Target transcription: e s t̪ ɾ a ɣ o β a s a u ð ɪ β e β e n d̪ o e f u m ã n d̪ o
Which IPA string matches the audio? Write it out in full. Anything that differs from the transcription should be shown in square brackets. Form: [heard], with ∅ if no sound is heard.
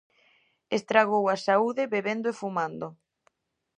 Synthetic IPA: e s t̪ ɾ a ɣ o [w] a s a u ð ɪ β e β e n d̪ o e f u m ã n d̪ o